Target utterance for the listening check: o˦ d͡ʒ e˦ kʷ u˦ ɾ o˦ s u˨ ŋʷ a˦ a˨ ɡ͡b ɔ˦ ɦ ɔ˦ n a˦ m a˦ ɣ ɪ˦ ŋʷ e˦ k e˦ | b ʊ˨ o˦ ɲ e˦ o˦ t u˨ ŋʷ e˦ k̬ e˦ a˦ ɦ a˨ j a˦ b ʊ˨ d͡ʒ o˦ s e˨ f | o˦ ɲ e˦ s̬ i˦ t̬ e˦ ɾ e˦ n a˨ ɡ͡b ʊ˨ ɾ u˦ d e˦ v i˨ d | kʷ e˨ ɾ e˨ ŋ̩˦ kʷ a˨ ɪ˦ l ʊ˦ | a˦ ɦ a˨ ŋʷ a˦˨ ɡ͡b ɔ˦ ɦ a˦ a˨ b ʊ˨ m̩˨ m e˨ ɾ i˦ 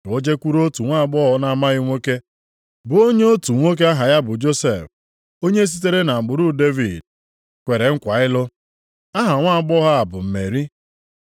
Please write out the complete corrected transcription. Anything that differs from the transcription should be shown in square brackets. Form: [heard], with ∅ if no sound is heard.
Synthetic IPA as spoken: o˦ d͡ʒ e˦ kʷ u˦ ɾ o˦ [t] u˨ ŋʷ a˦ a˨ ɡ͡b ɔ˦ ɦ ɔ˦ n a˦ m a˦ ɣ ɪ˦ ŋʷ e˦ k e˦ | b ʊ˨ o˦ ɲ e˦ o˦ t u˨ ŋʷ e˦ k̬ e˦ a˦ ɦ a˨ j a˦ b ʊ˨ d͡ʒ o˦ s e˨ f | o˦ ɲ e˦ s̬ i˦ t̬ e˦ ɾ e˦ n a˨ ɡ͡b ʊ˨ ɾ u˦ d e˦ v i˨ d | kʷ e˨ ɾ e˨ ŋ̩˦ kʷ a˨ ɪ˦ l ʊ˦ | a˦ ɦ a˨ ŋʷ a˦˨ ɡ͡b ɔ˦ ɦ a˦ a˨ b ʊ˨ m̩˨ m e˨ ɾ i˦